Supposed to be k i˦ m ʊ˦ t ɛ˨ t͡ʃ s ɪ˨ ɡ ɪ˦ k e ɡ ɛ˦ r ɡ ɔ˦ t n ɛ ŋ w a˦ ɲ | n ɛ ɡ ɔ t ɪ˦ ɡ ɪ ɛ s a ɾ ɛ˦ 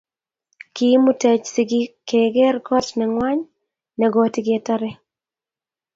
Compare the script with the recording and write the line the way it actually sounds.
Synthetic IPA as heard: k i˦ m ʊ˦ t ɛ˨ t͡ʃ s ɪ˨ ɡ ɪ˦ k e ɡ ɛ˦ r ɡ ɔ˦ t n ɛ ŋ w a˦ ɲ | n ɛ ɡ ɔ t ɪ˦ ɡ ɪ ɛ t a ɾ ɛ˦